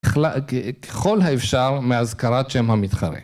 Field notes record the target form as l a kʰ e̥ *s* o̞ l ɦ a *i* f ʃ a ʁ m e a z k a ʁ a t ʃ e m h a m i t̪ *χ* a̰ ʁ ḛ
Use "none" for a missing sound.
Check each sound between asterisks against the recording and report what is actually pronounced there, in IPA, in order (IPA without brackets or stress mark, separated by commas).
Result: χ, e, χ